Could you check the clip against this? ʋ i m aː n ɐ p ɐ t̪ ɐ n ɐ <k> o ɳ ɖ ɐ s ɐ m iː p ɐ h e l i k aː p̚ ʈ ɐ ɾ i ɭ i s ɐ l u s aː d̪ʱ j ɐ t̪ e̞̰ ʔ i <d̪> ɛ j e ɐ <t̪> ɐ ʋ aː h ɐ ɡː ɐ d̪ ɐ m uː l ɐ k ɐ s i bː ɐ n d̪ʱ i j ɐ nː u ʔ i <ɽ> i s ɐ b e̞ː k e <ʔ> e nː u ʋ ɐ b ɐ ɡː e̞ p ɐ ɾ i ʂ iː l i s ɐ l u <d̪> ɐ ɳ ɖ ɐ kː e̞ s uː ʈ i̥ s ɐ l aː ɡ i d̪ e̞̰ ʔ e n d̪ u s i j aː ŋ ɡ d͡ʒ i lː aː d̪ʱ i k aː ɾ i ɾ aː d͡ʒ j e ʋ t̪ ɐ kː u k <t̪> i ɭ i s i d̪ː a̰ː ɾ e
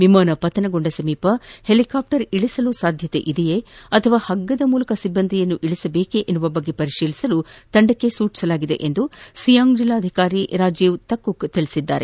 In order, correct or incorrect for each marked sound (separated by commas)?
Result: incorrect, correct, incorrect, incorrect, correct, incorrect, correct